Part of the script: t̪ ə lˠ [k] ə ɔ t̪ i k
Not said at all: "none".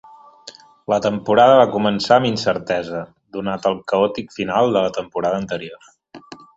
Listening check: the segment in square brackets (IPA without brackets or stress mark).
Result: k